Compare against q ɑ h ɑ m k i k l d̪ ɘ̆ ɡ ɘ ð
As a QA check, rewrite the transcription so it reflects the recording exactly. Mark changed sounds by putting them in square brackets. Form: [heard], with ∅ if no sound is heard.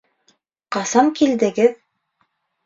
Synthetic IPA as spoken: q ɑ [s] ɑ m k i [∅] l d̪ ɘ̆ ɡ ɘ ð